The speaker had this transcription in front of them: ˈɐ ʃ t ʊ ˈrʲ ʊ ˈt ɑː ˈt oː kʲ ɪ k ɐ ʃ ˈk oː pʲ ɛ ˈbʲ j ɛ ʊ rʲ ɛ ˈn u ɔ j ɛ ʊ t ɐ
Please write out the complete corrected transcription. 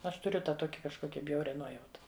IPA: ˈɐ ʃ t ʊ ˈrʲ ʊ ˈt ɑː ˈt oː kʲ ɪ k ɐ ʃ ˈk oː kʲ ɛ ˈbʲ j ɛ ʊ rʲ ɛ ˈn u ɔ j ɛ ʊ t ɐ